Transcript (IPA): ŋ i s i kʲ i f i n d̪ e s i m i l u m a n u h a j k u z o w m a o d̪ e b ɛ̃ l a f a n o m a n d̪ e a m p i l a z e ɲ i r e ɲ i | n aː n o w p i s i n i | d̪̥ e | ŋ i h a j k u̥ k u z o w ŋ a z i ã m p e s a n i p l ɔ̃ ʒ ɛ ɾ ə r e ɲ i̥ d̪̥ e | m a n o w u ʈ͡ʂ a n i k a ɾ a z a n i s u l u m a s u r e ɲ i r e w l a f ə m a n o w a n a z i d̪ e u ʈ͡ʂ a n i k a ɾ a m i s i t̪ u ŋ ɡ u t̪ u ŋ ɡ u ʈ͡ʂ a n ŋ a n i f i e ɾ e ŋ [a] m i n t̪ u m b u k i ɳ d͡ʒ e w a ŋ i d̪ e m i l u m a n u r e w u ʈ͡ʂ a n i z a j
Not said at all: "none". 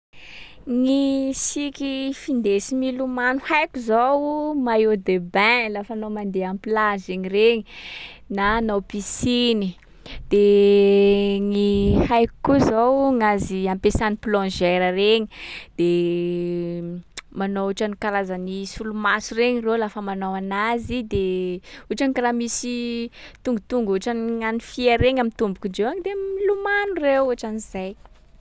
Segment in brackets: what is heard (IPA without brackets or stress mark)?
a